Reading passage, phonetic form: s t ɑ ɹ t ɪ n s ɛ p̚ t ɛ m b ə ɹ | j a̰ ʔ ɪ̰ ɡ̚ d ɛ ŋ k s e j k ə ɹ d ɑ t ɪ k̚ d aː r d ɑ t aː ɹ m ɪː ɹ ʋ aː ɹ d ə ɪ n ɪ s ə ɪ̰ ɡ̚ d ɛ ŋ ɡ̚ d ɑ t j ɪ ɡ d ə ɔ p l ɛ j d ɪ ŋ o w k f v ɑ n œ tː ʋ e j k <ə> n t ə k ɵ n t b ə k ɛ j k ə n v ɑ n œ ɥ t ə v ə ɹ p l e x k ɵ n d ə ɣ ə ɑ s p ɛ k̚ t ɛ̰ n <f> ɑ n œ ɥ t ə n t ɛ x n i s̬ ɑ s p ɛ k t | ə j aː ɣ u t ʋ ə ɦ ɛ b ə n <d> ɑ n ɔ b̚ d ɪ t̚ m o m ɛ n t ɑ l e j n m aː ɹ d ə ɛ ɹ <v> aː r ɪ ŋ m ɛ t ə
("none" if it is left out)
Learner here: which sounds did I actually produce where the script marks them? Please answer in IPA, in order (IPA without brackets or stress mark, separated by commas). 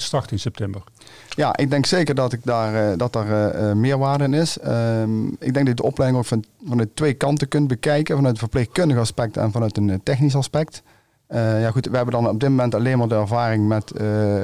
ɑ, v, d, v